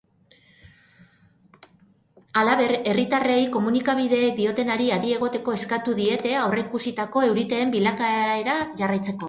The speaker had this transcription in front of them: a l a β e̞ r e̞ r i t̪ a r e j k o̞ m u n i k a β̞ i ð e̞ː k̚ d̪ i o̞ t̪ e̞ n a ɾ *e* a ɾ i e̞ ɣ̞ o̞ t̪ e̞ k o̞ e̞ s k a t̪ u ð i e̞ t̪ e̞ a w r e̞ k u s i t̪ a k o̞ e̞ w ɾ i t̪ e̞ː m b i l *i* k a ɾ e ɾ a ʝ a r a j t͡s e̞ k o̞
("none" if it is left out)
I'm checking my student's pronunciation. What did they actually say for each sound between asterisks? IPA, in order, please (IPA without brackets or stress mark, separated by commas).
i, a